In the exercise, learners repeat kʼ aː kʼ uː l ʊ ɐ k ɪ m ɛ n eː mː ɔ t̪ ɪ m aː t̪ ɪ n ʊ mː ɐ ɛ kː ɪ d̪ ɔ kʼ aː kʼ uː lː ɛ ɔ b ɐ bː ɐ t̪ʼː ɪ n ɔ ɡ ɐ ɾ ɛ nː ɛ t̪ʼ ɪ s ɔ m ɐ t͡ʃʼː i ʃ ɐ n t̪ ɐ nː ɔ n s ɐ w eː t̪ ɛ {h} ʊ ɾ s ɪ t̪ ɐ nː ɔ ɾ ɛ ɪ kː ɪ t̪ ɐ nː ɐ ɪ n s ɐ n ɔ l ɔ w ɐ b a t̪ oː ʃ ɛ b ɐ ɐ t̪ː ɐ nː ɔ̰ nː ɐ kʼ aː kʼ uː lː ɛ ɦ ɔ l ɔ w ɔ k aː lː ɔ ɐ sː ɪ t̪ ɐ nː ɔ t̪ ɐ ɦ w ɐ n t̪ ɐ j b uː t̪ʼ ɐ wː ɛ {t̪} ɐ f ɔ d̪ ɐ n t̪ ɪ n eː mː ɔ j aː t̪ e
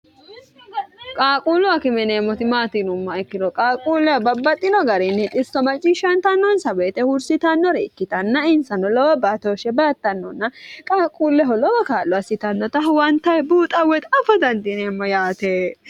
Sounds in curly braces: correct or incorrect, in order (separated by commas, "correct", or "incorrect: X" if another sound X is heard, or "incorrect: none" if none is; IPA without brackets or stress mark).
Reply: correct, correct